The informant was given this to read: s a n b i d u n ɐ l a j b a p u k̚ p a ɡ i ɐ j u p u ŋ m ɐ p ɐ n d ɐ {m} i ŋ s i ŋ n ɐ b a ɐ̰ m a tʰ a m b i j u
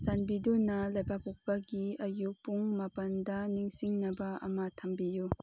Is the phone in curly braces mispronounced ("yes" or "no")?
yes